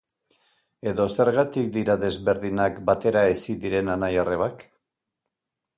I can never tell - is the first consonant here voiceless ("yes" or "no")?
no